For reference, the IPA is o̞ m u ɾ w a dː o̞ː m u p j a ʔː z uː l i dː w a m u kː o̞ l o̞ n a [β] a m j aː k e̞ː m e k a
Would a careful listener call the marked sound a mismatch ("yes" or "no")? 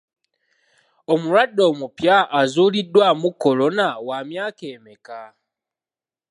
yes